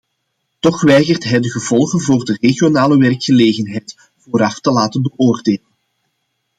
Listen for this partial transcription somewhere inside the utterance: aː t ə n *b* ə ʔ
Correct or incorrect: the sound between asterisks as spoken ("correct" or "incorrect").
correct